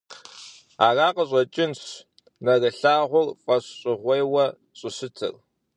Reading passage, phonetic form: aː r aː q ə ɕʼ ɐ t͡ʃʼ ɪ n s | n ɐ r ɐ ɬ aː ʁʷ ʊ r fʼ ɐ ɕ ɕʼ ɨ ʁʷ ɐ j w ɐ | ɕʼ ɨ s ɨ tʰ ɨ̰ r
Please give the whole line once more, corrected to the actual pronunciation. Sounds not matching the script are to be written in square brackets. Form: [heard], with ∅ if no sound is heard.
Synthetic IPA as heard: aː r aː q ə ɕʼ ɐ t͡ʃʼ ɪ n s | n ɐ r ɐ ɬ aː ʁʷ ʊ r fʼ ɐ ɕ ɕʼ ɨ ʁʷ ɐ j w ɐ | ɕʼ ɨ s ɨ tʰ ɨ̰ r